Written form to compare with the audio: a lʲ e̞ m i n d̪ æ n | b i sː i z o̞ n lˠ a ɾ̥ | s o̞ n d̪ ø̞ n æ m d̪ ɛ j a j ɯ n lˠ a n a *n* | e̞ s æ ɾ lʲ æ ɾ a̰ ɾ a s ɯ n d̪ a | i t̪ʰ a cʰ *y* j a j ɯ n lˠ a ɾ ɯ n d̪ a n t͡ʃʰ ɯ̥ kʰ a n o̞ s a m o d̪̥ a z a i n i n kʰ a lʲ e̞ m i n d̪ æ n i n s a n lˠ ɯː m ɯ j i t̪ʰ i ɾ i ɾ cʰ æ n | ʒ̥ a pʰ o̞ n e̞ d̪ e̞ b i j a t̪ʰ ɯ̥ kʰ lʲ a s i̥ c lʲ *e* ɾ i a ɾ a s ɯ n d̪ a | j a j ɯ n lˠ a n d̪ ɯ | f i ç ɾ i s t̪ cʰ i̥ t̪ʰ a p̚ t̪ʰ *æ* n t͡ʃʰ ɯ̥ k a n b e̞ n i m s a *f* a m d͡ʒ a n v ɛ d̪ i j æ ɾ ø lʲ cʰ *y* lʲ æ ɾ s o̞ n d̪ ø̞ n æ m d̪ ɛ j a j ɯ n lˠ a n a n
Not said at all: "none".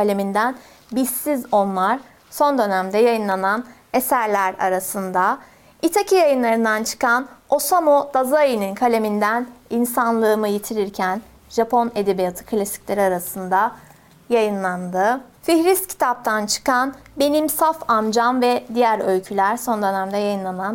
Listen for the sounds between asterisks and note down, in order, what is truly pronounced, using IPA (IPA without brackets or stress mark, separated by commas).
n, i, e, a, f, y